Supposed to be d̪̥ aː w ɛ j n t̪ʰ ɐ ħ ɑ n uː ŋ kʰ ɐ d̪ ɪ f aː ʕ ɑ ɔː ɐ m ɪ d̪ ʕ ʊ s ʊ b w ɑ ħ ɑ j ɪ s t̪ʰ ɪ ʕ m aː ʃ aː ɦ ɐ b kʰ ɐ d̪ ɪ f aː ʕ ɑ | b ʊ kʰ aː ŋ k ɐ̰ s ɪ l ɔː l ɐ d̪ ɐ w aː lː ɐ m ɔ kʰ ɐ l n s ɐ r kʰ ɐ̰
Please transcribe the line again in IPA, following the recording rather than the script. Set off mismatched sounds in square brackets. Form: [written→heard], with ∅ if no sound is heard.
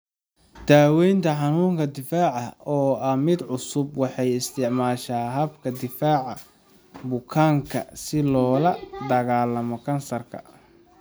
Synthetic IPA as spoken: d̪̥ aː w ɛ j n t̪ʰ ɐ ħ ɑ n uː ŋ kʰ ɐ d̪ ɪ f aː ʕ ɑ ɔː ɐ m ɪ d̪ ʕ ʊ s ʊ b w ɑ ħ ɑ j ɪ s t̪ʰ ɪ ʕ m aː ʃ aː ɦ ɐ b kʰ ɐ d̪ ɪ f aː ʕ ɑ | b ʊ kʰ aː ŋ [k→kʰ] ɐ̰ s ɪ l ɔː l ɐ d̪ ɐ [w→ɣ] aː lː ɐ m ɔ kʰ ɐ [l→∅] n s ɐ r kʰ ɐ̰